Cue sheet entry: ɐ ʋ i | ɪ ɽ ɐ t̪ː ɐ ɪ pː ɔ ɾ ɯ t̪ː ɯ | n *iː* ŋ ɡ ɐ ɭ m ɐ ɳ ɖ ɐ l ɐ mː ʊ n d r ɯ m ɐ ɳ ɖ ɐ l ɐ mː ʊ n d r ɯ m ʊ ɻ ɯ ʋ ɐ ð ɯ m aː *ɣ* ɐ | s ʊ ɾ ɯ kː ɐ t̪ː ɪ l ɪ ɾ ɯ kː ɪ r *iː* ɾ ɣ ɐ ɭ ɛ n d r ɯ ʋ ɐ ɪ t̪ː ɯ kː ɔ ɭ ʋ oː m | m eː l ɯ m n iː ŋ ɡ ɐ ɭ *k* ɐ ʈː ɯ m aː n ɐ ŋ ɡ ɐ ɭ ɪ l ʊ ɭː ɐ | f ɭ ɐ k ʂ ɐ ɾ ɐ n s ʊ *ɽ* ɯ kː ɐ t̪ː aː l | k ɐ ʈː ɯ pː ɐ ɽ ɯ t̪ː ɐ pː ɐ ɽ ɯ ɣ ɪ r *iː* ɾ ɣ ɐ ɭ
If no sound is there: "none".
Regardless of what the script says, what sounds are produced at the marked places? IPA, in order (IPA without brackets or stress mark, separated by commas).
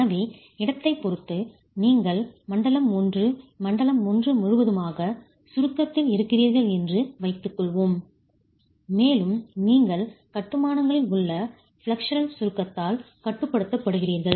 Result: iː, ɣ, iː, k, ɾ, iː